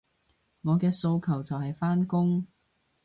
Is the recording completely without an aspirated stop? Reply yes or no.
no